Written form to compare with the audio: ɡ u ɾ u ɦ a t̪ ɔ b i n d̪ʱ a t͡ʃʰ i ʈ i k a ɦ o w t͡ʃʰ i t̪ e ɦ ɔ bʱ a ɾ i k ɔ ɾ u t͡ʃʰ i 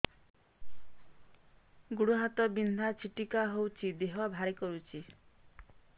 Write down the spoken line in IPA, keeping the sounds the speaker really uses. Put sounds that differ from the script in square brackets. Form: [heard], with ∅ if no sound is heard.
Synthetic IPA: ɡ u [ɽ] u ɦ a t̪ ɔ b i n d̪ʱ a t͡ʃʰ i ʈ i k a ɦ o w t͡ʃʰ i [d̪] e ɦ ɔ bʱ a ɾ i k ɔ ɾ u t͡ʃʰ i